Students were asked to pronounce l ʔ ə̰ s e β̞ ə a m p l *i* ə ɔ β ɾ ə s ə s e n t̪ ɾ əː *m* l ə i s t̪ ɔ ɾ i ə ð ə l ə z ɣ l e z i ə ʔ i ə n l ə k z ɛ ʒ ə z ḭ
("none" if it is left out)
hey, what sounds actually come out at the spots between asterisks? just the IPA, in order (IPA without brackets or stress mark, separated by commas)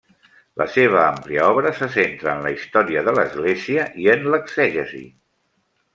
i, n